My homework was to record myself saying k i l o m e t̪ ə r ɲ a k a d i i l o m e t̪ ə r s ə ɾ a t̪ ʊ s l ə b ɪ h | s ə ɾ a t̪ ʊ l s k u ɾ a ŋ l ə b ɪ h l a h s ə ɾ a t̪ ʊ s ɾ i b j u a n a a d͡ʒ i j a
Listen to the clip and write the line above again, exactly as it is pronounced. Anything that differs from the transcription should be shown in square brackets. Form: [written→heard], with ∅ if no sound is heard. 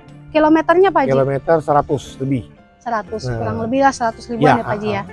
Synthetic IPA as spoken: k i l o m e t̪ ə r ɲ a [k→p] a [d→d͡ʒ] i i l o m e t̪ ə r s ə ɾ a t̪ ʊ s l ə b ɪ h | s ə ɾ a t̪ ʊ [l→∅] s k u ɾ a ŋ l ə b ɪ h l a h s ə ɾ a t̪ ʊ s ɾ i b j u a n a a d͡ʒ i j a

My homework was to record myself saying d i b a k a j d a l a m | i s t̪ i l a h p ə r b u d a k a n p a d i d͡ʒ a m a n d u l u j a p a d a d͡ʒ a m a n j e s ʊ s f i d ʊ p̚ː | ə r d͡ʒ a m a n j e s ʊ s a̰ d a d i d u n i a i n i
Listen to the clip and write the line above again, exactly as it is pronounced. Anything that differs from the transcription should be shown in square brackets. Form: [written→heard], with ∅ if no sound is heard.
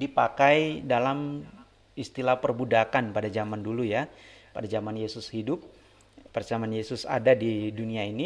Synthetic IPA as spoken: d i [b→p] a k a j d a l a m | i s t̪ i l a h p ə r b u d a k a n p a d [i→a] d͡ʒ a m a n d u l u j a p a d a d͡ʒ a m a n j e s ʊ s [f→h] i d ʊ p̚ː | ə r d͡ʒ a m a n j e s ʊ s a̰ d a d i d u n i a i n i

